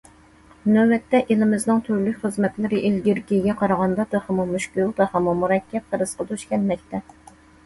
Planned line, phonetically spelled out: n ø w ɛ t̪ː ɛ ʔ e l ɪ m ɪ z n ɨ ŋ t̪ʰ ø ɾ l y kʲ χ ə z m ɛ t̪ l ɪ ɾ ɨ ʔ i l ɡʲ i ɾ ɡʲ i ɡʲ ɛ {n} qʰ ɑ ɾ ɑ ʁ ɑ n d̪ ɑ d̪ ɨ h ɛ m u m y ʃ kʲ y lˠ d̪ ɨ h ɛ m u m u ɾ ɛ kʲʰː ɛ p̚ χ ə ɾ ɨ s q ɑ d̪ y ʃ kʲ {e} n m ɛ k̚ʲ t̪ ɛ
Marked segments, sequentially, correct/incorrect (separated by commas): incorrect, incorrect